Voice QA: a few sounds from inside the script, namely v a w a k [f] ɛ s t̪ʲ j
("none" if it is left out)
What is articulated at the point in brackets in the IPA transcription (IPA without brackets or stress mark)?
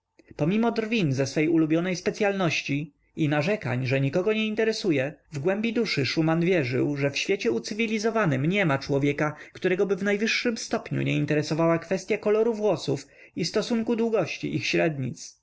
f